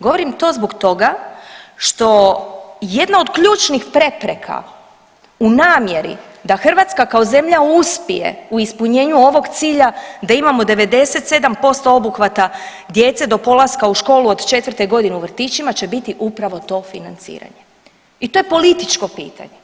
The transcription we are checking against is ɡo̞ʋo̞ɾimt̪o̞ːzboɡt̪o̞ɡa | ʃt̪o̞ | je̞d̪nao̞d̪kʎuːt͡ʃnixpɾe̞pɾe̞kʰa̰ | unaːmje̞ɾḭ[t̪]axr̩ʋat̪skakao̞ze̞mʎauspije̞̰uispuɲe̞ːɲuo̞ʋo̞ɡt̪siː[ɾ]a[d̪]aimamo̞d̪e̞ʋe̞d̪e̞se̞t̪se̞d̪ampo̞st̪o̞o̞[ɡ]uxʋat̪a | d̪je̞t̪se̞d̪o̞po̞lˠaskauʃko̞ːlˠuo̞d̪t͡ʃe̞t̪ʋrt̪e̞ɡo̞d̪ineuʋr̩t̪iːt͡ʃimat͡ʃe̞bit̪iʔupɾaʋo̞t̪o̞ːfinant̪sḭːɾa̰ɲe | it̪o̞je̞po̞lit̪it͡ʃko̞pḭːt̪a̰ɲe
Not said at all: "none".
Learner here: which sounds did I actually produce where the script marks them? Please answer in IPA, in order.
d̪, ʎ, d̪, b

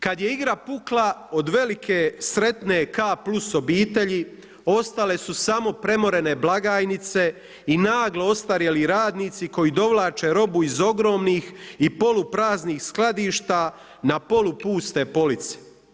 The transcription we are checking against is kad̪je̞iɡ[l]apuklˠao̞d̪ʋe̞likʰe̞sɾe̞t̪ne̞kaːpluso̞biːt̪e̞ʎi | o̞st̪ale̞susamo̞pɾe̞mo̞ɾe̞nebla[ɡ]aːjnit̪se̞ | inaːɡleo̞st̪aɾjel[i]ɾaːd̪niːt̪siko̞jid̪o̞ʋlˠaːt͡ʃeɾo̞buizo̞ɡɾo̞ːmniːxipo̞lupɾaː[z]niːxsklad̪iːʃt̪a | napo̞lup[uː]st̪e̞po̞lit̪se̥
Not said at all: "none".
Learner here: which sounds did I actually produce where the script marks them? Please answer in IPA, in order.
ɾ, ɡ, i, z, uː

